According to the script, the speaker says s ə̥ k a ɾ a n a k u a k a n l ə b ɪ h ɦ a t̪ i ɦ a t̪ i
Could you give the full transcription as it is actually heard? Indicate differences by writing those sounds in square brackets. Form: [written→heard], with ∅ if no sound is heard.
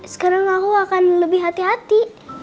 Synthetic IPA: s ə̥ k a ɾ a [n→ŋ] a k u a k a n l ə b ɪ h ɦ a t̪ i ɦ a t̪ i

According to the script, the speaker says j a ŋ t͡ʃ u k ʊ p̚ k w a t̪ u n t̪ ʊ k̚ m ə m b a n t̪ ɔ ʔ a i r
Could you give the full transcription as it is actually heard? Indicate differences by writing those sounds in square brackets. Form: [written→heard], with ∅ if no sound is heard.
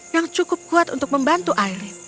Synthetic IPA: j a ŋ t͡ʃ u k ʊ p̚ k [w→u] a t̪ u n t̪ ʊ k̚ m ə m b a n t̪ [ɔ→u] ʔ a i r

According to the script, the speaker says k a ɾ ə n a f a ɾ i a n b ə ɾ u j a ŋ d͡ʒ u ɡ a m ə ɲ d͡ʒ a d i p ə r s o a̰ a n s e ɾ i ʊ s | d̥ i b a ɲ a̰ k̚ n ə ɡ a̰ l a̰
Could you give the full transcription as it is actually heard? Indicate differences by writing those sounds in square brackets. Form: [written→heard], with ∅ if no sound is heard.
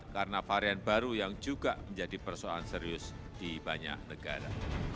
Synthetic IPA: k a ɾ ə n a f a ɾ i a n b [ə→a] ɾ u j a ŋ d͡ʒ u ɡ a m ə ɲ d͡ʒ a d i p ə r s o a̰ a n s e ɾ i ʊ s | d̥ i b a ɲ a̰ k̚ n ə ɡ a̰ [l→ɾ] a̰

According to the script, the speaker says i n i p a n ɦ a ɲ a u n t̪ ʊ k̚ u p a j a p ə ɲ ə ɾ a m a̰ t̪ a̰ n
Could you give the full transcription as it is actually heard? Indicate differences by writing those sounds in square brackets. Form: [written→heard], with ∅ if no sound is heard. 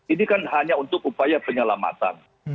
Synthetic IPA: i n i [p→k] a n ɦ a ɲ a u n t̪ ʊ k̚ u p a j a p ə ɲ ə [ɾ→l] a m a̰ t̪ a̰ n

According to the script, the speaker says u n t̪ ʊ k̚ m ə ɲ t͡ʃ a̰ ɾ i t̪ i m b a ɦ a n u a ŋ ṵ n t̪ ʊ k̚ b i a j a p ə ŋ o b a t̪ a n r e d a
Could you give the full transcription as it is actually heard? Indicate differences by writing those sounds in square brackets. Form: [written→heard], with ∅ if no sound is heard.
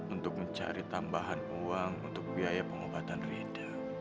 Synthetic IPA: u n t̪ ʊ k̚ m ə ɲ t͡ʃ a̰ ɾ i t̪ [i→a] m b a ɦ a n u a ŋ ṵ n t̪ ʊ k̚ b i a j a p ə ŋ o b a t̪ a n r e d a

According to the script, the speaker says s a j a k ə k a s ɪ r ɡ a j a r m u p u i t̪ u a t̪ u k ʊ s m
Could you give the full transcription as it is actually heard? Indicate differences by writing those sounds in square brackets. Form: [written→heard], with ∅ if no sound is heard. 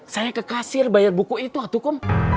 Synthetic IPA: s a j a k ə k a s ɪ r [ɡ→b] a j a r [m→b] u [p→k] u i t̪ u a t̪ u k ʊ [s→∅] m

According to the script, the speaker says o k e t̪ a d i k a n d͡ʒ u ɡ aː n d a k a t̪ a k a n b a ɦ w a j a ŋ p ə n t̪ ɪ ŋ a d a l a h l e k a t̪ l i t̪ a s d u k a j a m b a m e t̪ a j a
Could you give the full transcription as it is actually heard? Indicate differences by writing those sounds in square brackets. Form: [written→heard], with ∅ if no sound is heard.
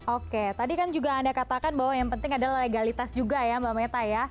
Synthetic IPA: o k e t̪ a d i k a n d͡ʒ u ɡ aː n d a k a t̪ a k a n b a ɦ w a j a ŋ p ə n t̪ ɪ ŋ a d a l a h l e [k→ɡ] a [t̪→∅] l i t̪ a s [d→d͡ʒ] u [k→ɡ] a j a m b a m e t̪ a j a

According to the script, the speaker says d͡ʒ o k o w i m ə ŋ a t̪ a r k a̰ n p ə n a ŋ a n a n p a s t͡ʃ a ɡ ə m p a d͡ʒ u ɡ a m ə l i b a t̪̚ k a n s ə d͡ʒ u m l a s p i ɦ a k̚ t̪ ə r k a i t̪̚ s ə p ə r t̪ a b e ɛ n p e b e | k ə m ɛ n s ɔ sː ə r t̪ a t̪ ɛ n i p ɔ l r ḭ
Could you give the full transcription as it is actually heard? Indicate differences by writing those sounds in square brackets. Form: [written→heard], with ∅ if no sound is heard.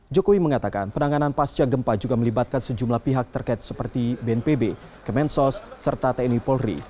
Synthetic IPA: d͡ʒ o k o w i m ə ŋ a t̪ a [r→∅] k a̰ n p ə n a ŋ a n a n p a s t͡ʃ a ɡ ə m p a d͡ʒ u ɡ a m ə l i b a t̪̚ k a n s ə d͡ʒ u m l a [s→h] p i ɦ a k̚ t̪ ə r k a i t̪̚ s ə p ə r t̪ [a→i] b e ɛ n p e b e | k ə m ɛ n s ɔ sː ə r t̪ a t̪ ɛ n i p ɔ l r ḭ

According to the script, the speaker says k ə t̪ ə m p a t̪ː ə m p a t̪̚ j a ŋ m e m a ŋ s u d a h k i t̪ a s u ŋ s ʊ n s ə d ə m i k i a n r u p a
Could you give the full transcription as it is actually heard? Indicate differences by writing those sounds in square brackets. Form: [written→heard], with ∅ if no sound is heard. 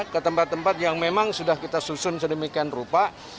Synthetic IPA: k ə t̪ ə m p a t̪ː ə m p a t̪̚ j a ŋ m e m a ŋ s u d a h k i t̪ a s u [ŋ→∅] s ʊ n s ə d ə m i k i a n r u p a

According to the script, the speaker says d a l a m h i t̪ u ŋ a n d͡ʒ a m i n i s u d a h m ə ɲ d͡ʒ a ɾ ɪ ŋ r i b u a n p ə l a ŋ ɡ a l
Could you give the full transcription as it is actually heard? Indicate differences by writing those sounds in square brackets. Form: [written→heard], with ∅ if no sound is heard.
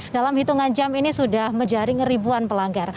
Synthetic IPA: d a l a m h i t̪ u ŋ a n d͡ʒ a m i n i s u d a h m ə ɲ d͡ʒ a ɾ ɪ ŋ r i b u a n p ə l a ŋ ɡ a [l→r]

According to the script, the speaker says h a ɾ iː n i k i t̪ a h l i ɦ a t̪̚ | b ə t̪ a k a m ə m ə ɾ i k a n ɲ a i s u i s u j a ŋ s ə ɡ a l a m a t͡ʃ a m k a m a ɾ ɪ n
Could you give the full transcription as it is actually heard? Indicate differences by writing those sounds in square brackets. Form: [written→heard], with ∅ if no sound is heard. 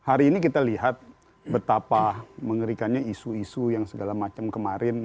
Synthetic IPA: h a ɾ iː n i k i t̪ a [h→∅] l i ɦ a t̪̚ | b ə t̪ a [k→p] a m ə [m→ŋ] ə ɾ i k a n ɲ a i s u i s u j a ŋ s ə ɡ a l a m a t͡ʃ a m k [a→ə] m a ɾ ɪ n

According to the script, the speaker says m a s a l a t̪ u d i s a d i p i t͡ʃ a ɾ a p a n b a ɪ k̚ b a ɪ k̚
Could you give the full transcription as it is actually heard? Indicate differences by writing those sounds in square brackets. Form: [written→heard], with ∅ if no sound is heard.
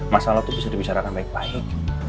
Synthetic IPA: m a s a l a t̪ u [d→b] i s a d i [p→b] i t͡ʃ a ɾ a [p→k] a n b a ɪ k̚ b a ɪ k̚

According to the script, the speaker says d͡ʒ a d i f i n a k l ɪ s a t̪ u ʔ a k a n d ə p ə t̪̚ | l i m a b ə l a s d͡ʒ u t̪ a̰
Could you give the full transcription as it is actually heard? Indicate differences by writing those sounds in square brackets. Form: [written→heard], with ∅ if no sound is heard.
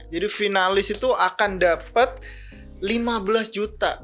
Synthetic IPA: d͡ʒ a d i f i n a [k→∅] l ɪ s [a→i] t̪ u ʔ a k a n d [ə→a] p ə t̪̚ | l i m a b ə l a s d͡ʒ u t̪ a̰

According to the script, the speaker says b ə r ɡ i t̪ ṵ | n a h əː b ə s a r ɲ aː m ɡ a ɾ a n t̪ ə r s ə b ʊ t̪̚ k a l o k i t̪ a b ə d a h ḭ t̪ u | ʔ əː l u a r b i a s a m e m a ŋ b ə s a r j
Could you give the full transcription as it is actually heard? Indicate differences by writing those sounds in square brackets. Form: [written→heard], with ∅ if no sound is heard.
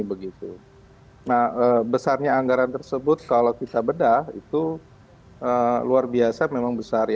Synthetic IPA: b ə [r→∅] ɡ i t̪ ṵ | n a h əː b ə s a r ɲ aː [m→ŋ] ɡ a ɾ a n t̪ ə r s ə b ʊ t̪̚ k a l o k i t̪ a b ə d a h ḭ t̪ u | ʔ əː l u a r b i a s a m e m a ŋ b ə s a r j

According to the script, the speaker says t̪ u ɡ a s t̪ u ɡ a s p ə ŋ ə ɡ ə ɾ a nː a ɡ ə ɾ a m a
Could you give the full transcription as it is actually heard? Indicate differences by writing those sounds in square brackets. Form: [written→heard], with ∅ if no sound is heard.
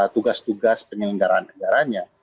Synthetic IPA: t̪ u ɡ a s t̪ u ɡ a s p ə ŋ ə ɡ [ə→a] ɾ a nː [a→ə] ɡ [ə→a] ɾ a [m→ɲ] a

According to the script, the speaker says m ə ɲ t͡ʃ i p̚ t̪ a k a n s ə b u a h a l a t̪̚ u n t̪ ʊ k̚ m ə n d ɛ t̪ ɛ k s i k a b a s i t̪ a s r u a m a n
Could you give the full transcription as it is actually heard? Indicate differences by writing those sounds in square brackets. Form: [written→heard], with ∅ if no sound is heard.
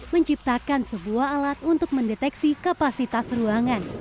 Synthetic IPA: m ə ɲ t͡ʃ i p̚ t̪ a k a n s ə b u a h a l a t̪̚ u n t̪ ʊ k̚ m ə n d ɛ t̪ ɛ k s i k a [b→p] a s i t̪ a s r u a [m→ŋ] a n

